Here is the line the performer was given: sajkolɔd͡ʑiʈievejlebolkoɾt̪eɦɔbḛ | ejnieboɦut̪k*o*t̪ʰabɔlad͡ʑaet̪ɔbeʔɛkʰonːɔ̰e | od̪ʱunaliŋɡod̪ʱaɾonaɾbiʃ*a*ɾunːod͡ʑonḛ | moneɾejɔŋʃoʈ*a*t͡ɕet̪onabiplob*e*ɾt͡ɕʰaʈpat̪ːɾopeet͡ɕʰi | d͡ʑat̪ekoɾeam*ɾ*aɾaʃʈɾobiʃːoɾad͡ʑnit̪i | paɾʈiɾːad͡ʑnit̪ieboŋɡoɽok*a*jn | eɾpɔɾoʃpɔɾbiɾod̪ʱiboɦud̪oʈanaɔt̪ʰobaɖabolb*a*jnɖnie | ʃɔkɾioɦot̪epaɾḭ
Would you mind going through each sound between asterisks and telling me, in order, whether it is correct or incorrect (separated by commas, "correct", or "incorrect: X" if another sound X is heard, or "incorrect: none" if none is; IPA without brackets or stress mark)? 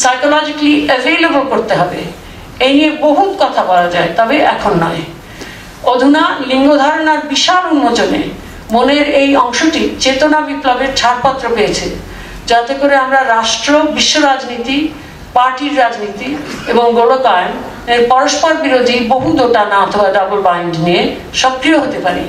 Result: incorrect: ɔ, correct, incorrect: i, correct, correct, correct, correct